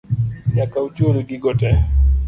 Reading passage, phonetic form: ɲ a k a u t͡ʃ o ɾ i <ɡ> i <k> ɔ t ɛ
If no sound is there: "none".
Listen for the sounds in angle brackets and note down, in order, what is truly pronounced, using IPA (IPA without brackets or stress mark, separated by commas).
ɡ, ɡ